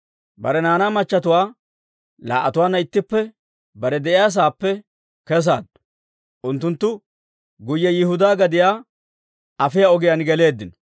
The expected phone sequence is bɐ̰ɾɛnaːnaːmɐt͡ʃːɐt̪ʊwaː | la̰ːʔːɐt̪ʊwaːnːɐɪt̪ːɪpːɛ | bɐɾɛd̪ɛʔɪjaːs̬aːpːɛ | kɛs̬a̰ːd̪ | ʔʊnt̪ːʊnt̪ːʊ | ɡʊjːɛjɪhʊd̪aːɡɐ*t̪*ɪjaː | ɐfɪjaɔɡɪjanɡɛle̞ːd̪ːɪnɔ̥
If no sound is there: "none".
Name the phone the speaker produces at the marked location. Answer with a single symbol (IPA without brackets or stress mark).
d̪